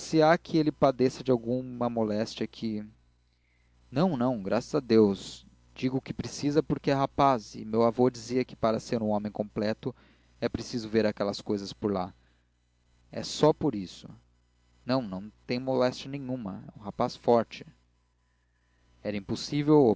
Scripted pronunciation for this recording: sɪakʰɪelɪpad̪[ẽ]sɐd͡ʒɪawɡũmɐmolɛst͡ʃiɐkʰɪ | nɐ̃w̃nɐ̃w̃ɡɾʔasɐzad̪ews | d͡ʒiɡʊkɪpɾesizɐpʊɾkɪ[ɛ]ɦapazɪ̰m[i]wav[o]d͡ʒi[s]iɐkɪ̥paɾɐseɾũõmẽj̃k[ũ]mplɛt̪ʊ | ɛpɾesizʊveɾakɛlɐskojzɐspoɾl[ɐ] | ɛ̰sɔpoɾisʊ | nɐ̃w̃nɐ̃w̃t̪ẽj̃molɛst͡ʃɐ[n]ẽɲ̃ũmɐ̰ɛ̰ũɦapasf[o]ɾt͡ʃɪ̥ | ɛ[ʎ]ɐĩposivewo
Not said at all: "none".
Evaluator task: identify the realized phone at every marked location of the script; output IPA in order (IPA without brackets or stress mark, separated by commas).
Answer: e, ɛ, e, o, z, õ, a, n, ɔ, ɾ